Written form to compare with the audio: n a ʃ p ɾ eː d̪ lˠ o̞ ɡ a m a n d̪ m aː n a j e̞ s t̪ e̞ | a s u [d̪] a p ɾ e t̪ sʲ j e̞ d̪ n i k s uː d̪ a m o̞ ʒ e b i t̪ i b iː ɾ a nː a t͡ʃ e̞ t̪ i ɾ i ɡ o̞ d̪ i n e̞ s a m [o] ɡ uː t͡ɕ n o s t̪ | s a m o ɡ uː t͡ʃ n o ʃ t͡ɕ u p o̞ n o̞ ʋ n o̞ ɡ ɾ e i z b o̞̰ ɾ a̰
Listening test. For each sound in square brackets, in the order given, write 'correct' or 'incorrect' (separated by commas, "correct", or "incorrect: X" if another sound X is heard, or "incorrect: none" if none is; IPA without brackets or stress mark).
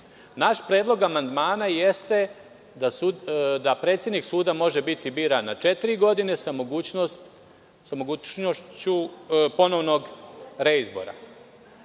correct, correct